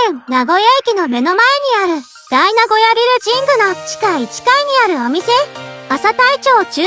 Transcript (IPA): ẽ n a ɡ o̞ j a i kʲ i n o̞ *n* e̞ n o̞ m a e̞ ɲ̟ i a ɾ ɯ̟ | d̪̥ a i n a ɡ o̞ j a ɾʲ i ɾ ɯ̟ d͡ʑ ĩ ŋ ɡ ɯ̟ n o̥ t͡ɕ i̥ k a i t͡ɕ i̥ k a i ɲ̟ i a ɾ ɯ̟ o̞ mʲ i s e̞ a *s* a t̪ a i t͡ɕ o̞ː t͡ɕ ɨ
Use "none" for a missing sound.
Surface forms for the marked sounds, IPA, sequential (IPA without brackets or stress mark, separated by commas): m, s